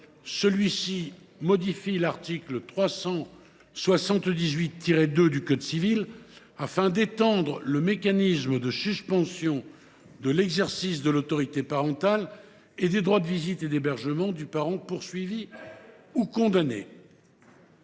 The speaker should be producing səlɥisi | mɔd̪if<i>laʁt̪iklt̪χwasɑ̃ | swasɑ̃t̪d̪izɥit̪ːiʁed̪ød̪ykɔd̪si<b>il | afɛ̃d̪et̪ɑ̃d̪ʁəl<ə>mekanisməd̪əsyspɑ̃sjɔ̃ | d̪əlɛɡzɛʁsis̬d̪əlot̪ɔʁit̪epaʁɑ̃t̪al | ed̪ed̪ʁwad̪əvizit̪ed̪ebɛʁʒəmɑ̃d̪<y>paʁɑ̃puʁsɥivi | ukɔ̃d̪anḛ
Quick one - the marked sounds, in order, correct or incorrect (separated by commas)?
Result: correct, incorrect, correct, correct